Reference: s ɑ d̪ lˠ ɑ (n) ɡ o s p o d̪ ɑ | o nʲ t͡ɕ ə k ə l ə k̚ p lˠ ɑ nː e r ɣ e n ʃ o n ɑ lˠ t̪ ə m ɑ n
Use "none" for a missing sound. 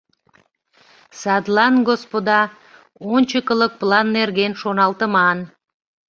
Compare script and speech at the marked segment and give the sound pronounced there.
n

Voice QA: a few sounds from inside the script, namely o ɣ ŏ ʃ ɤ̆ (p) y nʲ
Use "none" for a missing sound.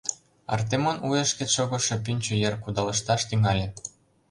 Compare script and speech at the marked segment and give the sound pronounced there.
p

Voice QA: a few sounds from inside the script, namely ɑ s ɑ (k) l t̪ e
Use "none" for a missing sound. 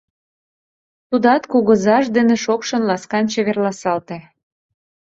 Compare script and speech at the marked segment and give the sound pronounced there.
none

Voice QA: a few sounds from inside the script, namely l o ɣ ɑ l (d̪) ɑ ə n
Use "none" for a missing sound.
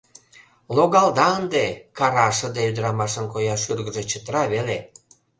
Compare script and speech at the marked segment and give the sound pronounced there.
d̪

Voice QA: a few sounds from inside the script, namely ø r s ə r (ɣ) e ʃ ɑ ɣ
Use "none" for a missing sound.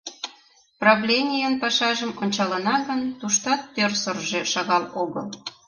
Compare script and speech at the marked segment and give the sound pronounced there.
ʒ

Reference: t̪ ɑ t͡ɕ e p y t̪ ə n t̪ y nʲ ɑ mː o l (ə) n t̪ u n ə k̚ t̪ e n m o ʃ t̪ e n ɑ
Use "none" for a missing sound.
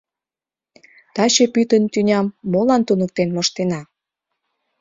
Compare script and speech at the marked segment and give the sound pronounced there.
ɑ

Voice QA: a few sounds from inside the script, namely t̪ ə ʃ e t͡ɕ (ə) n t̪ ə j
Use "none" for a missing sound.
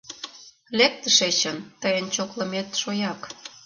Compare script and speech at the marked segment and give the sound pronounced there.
ə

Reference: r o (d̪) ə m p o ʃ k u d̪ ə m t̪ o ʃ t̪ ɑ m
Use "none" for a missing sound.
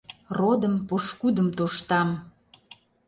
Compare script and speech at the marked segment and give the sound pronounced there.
d̪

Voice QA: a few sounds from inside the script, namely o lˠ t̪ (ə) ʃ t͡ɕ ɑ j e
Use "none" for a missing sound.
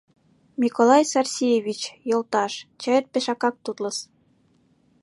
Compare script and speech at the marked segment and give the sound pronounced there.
ɑ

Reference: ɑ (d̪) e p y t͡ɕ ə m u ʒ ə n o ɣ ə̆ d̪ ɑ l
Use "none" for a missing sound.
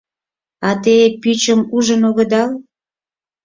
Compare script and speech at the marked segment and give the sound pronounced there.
t̪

